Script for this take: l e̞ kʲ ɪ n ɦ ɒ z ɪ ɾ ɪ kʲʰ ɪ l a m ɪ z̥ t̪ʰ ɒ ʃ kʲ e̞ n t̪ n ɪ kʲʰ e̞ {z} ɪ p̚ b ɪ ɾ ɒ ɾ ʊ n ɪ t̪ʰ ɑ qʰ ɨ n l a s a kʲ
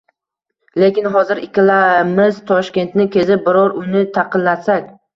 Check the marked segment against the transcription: correct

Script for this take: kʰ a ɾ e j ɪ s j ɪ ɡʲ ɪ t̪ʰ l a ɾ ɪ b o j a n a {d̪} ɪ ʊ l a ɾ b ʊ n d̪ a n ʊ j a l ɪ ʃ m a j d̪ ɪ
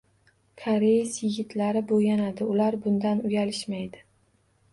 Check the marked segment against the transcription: correct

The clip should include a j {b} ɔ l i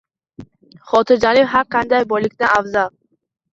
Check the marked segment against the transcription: correct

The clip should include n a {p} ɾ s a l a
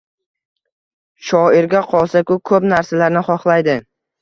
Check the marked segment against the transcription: incorrect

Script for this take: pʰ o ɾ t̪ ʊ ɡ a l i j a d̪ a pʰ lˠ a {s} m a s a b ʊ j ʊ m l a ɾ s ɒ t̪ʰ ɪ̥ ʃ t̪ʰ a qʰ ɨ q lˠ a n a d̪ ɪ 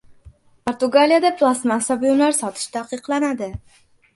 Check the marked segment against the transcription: correct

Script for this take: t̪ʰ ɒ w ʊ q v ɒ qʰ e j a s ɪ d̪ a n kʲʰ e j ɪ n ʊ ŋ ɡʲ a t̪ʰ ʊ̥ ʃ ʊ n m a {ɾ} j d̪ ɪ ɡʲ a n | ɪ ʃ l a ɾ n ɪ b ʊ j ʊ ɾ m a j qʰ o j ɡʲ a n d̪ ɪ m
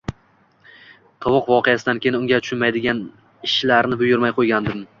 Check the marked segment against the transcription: incorrect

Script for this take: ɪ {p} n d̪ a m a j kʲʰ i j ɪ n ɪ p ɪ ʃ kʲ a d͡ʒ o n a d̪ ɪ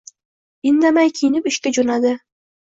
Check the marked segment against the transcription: incorrect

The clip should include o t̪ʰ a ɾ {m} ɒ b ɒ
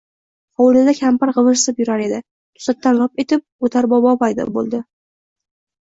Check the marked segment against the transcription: incorrect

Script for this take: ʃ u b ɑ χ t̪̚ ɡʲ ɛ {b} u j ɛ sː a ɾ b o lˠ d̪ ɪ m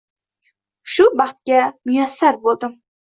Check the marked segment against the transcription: incorrect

